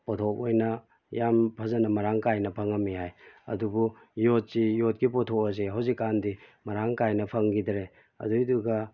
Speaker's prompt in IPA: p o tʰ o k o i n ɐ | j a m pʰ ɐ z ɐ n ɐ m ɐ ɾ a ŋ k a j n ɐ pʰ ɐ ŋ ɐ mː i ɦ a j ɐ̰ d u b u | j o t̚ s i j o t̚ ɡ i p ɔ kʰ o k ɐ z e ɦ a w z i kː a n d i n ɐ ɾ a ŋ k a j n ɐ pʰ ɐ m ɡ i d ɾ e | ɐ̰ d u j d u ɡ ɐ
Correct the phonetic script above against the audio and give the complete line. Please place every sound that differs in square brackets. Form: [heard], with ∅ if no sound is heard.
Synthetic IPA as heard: p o tʰ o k o [j] n ɐ | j a m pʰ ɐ z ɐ n ɐ m ɐ ɾ a ŋ k a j n ɐ pʰ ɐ ŋ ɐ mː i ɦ a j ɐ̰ d u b u | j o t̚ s i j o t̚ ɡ i p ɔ [tʰ] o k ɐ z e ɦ a w z i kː a n d i [m] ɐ ɾ a ŋ k a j n ɐ pʰ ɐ [ŋ] ɡ i d ɾ e | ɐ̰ d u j d u ɡ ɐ